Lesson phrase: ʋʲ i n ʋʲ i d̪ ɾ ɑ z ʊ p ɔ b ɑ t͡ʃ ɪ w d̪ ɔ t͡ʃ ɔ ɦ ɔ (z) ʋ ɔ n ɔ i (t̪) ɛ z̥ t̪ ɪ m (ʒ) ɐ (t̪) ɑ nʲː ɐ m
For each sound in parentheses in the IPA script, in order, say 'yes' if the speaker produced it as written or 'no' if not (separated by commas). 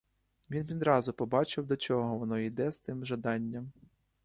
no, no, yes, no